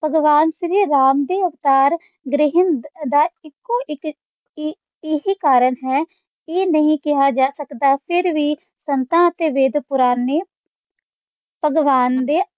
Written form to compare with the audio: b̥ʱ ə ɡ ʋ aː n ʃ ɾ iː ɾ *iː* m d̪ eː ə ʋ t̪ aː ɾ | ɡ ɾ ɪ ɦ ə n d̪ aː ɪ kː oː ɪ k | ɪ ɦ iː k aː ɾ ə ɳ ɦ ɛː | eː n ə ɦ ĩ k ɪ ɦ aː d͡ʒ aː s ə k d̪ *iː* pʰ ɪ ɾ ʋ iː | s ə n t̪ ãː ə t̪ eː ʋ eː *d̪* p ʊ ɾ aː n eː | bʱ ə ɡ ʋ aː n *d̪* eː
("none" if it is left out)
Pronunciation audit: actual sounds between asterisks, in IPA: aː, aː, d̪, d̪

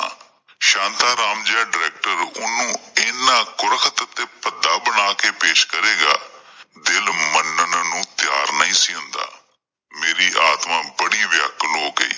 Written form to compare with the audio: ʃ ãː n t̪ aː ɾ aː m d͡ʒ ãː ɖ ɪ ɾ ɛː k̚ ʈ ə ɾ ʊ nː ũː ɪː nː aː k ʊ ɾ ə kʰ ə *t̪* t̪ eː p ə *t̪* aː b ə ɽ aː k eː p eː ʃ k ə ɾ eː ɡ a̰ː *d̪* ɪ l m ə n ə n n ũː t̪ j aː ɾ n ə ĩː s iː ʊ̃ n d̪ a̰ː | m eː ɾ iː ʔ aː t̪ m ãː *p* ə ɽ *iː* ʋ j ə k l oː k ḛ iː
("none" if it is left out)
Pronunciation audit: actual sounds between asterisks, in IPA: t̪, d̪, d̪, b, iː

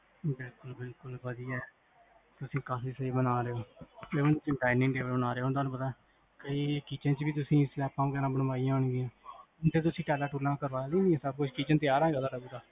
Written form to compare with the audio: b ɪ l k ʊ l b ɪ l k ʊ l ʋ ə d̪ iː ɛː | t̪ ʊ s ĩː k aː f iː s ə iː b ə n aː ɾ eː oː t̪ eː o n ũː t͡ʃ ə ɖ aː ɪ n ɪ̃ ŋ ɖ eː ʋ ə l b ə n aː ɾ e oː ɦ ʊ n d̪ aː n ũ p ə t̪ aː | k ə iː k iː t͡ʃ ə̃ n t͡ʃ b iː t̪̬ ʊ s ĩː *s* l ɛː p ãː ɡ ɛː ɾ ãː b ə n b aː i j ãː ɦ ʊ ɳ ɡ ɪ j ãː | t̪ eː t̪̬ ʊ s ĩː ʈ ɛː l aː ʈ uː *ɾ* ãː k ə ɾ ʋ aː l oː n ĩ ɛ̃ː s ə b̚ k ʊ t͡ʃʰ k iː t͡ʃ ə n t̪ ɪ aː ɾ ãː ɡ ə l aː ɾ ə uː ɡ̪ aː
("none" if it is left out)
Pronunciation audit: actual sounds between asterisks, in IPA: s, l

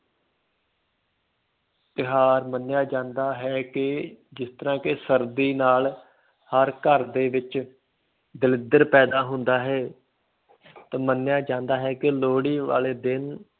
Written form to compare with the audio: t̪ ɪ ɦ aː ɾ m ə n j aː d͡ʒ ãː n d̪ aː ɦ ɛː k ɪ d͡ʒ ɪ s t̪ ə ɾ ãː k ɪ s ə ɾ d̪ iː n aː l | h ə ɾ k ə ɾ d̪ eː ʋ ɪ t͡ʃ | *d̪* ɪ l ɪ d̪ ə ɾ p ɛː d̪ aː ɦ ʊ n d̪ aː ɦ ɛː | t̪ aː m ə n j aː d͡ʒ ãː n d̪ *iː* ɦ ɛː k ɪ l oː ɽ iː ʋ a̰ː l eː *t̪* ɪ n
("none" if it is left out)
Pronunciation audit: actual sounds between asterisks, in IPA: d̪, aː, d̪

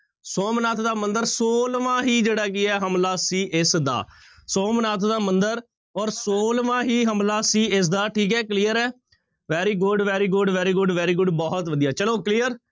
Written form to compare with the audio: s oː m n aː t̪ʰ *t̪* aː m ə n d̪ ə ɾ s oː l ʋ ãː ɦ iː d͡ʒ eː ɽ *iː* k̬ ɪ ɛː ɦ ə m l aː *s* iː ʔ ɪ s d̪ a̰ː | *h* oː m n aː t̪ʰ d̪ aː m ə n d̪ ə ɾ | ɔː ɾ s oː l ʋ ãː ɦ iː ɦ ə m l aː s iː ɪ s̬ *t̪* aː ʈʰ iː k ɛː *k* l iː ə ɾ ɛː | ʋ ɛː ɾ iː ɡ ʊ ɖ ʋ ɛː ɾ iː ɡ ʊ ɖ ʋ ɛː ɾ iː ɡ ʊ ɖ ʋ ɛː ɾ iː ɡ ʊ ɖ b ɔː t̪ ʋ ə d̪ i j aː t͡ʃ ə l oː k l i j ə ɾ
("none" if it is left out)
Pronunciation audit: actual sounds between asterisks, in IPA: d̪, aː, s, s, d̪, k

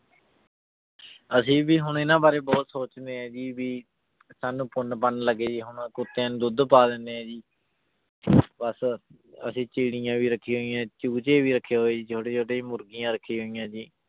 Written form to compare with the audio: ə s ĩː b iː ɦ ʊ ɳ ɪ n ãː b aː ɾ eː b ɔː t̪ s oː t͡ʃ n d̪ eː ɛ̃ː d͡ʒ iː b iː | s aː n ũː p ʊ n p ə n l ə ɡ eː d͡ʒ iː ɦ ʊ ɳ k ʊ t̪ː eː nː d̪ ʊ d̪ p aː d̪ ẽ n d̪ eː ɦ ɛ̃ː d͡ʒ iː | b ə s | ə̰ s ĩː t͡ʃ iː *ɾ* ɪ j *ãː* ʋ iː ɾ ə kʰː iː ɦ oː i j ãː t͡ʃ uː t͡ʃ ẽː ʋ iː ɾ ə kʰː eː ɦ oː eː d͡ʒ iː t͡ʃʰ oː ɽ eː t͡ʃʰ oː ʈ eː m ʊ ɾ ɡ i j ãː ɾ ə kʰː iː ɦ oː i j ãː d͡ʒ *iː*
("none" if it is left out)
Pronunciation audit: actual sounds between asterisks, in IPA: ɽ, ãː, iː

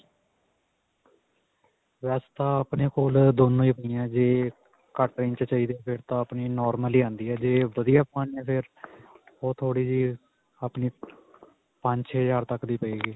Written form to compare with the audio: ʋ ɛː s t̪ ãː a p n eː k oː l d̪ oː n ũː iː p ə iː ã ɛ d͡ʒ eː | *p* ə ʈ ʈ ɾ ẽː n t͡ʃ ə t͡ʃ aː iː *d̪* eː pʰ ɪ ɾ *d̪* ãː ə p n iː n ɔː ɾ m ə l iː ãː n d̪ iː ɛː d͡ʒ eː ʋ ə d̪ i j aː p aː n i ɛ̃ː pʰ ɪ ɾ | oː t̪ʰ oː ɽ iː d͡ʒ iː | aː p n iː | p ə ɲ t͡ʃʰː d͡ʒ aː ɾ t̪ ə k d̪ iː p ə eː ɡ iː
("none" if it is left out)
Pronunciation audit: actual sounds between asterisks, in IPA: k, d̪, t̪

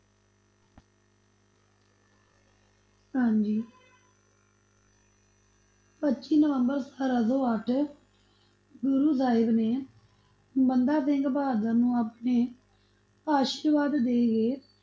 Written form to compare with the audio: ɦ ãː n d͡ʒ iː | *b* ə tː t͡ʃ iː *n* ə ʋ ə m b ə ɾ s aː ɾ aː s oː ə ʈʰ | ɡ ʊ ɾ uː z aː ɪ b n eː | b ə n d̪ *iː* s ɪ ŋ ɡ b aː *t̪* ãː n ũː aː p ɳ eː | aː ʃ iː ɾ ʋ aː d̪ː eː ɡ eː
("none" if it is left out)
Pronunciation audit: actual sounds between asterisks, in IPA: p, n, aː, d̪

